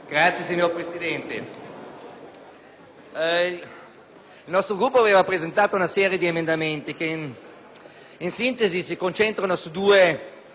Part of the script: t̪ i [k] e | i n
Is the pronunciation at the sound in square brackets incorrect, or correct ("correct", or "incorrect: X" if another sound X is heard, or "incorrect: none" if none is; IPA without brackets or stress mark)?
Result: correct